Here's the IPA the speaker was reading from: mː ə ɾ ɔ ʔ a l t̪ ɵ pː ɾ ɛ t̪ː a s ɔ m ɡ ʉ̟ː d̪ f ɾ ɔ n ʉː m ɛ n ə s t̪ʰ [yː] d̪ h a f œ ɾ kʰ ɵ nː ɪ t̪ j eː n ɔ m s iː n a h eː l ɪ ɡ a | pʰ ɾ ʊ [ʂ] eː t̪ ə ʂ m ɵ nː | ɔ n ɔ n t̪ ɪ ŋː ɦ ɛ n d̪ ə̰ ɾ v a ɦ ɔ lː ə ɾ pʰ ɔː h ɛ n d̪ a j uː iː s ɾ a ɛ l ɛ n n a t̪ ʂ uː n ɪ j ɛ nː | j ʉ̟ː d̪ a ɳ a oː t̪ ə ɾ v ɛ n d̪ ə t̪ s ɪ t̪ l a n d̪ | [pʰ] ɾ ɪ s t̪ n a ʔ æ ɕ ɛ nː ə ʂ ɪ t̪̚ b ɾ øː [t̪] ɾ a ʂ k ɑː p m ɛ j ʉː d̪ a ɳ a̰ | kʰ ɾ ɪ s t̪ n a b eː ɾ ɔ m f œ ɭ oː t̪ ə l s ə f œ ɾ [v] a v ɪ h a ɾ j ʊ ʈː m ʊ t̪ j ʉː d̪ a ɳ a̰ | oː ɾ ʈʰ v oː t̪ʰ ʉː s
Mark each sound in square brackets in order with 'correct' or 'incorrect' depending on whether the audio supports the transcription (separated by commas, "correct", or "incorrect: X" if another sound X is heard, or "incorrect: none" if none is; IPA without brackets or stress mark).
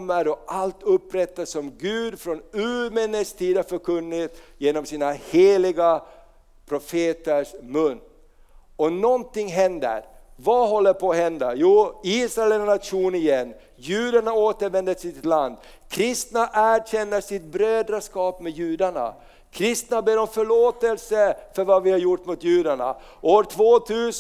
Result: incorrect: iː, incorrect: f, incorrect: kʰ, incorrect: d̪, correct